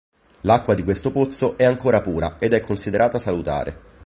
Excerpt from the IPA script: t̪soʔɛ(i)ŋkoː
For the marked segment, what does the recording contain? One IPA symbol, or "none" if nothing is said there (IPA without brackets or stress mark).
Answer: a